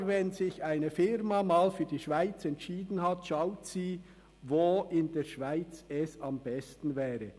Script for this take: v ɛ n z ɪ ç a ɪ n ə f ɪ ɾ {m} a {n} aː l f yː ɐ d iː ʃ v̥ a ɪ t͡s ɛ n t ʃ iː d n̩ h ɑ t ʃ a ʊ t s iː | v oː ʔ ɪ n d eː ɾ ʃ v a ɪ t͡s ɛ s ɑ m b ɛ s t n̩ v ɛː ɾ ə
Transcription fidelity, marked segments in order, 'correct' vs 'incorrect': correct, incorrect

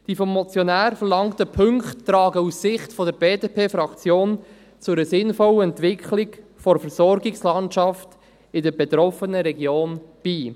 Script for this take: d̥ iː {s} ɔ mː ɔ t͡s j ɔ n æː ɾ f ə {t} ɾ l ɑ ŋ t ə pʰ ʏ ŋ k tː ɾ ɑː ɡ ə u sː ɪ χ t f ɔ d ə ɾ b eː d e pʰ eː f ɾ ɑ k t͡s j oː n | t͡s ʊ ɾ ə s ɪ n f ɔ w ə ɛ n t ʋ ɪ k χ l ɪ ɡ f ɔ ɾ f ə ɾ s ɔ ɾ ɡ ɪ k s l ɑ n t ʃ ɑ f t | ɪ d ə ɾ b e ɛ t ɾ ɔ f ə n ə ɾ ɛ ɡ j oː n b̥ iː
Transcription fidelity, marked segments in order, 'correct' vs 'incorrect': incorrect, incorrect

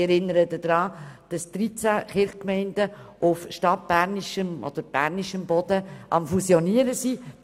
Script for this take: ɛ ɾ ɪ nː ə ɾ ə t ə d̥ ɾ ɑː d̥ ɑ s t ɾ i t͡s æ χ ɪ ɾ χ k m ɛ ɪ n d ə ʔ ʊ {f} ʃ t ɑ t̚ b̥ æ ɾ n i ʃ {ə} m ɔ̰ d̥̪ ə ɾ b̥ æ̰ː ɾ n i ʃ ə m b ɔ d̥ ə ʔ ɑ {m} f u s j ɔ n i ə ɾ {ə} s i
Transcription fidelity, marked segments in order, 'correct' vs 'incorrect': correct, correct, correct, correct

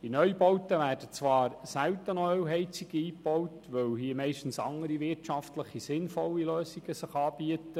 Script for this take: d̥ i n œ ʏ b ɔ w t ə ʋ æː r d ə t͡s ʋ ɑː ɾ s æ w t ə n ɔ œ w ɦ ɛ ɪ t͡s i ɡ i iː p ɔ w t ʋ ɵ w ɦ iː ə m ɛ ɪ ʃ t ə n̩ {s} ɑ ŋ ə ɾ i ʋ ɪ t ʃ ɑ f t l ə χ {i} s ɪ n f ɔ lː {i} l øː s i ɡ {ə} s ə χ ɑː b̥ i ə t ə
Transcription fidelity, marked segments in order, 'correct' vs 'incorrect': correct, correct, correct, correct

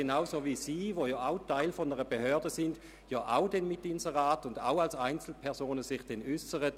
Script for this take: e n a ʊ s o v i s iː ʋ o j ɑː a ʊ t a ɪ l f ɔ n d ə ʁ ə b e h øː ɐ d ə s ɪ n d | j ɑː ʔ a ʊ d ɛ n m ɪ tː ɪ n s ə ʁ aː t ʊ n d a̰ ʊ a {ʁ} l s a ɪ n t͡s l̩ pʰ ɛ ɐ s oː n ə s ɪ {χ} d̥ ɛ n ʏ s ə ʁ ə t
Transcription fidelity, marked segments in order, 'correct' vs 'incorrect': incorrect, correct

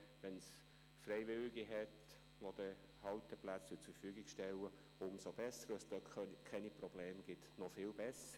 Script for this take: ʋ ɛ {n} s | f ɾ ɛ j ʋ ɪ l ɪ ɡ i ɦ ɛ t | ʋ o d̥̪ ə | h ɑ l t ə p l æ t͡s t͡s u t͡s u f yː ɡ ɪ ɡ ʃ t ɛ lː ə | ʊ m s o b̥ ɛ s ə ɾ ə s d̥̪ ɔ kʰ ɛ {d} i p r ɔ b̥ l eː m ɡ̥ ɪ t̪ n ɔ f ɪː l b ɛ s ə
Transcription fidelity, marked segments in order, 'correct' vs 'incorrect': correct, incorrect

